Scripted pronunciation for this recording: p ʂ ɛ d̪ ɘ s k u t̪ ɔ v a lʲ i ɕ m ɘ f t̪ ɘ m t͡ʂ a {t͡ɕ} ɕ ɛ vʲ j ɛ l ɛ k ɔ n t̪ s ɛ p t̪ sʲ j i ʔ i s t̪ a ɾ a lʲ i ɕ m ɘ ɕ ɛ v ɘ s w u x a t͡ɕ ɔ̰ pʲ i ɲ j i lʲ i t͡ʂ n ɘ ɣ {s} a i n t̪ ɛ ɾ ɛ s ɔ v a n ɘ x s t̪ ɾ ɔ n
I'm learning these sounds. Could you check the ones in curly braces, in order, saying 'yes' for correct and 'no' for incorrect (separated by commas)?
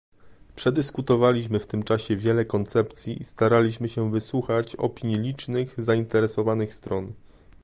no, no